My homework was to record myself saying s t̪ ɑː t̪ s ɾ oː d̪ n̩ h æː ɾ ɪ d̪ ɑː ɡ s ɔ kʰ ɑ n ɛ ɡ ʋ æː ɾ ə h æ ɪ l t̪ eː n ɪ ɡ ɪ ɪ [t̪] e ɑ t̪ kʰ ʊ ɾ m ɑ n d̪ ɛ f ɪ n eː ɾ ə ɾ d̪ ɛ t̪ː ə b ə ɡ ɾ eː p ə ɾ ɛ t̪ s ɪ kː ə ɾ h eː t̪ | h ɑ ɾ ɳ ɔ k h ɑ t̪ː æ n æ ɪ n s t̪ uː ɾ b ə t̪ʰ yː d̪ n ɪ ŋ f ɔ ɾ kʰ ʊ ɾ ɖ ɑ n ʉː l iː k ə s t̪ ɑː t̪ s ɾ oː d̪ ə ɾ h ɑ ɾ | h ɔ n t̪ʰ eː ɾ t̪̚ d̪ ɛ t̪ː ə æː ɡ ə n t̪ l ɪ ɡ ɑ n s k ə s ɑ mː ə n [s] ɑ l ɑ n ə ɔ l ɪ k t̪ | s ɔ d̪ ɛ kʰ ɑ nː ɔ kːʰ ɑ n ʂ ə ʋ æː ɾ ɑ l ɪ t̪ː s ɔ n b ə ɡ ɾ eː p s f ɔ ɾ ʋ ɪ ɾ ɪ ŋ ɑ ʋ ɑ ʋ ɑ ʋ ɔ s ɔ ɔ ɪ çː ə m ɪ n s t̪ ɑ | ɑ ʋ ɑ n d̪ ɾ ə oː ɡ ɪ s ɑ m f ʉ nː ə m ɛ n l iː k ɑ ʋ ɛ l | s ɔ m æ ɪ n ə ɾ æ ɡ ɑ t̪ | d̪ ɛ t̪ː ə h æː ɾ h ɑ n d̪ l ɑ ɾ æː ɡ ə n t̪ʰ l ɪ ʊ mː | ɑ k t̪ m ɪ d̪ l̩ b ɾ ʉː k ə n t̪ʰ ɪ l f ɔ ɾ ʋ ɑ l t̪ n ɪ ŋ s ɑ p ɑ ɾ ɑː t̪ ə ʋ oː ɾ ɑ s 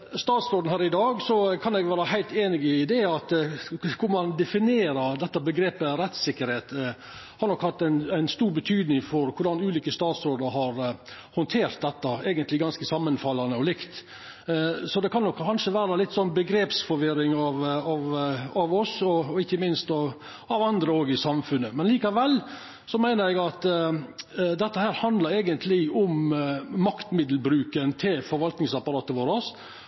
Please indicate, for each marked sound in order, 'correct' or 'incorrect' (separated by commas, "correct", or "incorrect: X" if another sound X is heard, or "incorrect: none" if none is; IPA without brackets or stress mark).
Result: incorrect: d̪, incorrect: f